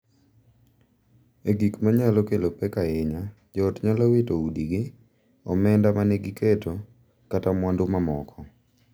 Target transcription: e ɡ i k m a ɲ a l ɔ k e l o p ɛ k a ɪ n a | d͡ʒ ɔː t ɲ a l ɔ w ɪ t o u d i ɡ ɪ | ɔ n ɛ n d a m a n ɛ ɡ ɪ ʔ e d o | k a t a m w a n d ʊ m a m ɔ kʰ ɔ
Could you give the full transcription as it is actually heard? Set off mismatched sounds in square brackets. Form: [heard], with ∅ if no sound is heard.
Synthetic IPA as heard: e ɡ i k m a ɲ a l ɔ k e l o p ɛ k a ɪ [ɲ] a | d͡ʒ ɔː t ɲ a l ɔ w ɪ t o u d i ɡ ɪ | ɔ [m] ɛ n d a m a n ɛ ɡ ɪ [k] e [t] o | k a t a m w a n d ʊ m a m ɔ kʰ ɔ